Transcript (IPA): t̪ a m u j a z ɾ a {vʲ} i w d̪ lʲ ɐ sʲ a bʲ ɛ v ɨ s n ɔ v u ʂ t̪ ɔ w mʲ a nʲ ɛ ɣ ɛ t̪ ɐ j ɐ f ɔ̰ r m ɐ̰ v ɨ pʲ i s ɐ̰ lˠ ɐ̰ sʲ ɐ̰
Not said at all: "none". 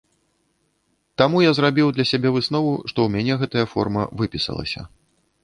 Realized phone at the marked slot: bʲ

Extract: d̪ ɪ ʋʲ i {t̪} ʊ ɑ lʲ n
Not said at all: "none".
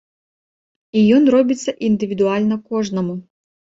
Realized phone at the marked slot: d̪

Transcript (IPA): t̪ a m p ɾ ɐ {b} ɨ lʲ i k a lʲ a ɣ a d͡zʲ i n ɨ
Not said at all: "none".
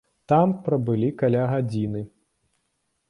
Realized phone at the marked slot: b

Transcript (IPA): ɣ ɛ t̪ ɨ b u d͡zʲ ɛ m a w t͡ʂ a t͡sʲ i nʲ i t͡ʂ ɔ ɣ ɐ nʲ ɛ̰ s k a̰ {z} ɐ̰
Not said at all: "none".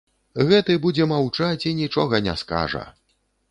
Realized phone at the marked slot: ʐ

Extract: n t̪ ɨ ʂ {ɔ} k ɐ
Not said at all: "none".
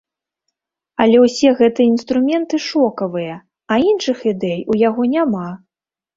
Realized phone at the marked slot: ɔ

